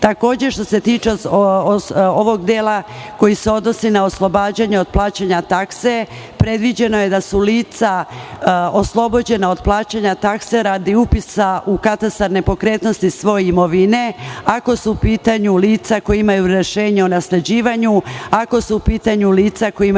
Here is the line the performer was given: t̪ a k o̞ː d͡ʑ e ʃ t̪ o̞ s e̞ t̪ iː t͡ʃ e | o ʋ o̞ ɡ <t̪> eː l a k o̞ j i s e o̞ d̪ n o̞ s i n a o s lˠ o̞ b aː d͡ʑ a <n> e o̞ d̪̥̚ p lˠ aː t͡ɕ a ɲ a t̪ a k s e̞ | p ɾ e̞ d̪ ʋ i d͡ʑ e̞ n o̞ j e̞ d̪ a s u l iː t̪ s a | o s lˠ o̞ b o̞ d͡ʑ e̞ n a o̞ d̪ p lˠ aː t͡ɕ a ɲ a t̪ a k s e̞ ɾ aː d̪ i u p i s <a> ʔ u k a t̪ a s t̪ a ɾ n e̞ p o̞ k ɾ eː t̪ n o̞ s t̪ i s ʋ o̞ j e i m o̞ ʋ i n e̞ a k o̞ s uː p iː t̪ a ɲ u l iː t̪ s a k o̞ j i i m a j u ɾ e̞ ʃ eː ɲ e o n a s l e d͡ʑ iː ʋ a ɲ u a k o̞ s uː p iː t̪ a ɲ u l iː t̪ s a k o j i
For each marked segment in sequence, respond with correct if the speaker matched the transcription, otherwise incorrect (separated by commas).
incorrect, incorrect, correct